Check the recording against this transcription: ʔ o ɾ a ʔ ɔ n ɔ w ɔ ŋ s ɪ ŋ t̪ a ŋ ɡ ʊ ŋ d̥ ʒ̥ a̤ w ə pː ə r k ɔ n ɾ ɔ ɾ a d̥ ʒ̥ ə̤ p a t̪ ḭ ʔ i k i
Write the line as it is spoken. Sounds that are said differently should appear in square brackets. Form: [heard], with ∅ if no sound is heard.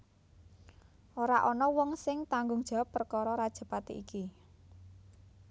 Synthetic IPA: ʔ o ɾ a ʔ ɔ n ɔ w ɔ ŋ s ɪ ŋ t̪ a ŋ ɡ ʊ ŋ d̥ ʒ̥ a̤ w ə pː ə r k ɔ [∅] ɾ ɔ ɾ a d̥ ʒ̥ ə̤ p a t̪ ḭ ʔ i k i

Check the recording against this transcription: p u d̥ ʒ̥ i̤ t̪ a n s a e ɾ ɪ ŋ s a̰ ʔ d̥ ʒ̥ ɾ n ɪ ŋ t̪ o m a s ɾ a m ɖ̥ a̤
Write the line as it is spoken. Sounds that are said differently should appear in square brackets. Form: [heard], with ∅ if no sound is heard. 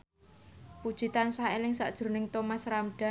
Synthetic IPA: p u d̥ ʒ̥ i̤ t̪ a n s a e [l] ɪ ŋ s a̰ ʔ d̥ ʒ̥ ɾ n ɪ ŋ t̪ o m a s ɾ a m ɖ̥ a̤

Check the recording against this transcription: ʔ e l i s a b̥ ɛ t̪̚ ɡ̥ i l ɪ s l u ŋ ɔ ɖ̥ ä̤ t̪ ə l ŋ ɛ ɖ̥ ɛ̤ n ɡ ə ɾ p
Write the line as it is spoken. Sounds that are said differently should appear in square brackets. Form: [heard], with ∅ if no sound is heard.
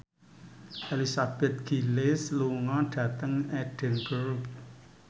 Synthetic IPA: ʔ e l i s a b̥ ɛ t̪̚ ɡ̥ i l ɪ s l u ŋ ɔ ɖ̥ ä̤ t̪ ə [∅] ŋ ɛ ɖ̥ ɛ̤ n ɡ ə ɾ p

